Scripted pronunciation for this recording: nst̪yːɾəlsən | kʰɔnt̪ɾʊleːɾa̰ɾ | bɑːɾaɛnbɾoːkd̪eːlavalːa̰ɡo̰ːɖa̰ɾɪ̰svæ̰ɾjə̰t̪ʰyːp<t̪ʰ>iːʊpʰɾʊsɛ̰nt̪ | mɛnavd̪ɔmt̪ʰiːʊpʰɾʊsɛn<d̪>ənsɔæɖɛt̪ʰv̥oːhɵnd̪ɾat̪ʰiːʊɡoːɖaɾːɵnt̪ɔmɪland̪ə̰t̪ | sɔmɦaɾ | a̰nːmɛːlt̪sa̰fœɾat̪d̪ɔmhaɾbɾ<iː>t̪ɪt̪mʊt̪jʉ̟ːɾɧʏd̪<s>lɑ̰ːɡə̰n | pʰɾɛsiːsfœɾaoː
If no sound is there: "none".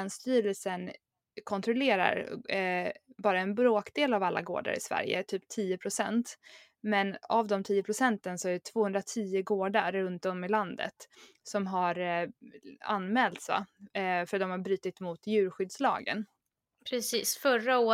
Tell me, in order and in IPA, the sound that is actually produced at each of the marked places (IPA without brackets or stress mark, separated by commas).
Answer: t̪ʰ, t̪, yː, s